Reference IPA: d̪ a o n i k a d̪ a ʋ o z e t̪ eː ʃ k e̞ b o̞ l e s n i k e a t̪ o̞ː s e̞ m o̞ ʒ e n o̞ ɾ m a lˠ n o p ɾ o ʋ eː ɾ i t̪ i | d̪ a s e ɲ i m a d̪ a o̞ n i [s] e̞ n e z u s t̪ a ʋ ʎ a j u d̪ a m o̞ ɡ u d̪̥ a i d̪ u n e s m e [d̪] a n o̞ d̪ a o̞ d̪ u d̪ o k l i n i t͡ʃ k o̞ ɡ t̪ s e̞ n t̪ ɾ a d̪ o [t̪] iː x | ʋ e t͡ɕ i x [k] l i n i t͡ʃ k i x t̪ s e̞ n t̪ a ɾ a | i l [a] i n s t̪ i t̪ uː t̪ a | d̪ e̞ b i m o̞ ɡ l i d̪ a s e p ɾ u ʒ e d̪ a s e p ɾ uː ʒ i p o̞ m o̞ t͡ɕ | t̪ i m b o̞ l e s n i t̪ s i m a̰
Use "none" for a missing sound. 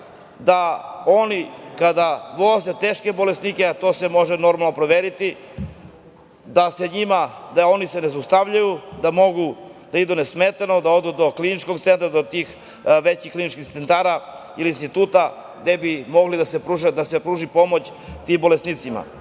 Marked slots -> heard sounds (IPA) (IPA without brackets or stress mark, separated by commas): s, t̪, t̪, k, i